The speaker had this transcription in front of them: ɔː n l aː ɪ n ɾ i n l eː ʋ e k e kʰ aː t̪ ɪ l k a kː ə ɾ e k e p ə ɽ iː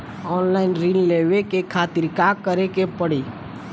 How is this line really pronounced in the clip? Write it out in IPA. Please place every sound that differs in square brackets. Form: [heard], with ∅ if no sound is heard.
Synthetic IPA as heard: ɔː n l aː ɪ n ɾ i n l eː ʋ e k e kʰ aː t̪ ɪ [ɾ] k a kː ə ɾ e k e p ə ɽ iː